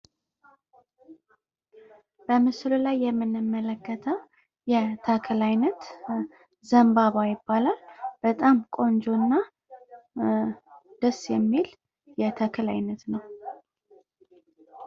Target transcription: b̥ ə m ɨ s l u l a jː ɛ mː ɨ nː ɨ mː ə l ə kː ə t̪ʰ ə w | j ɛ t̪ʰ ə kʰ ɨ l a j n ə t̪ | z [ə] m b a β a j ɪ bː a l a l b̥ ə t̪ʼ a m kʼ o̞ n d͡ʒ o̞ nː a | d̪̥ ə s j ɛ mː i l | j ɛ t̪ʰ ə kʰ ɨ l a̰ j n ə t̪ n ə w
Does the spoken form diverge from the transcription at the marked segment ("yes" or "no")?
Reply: no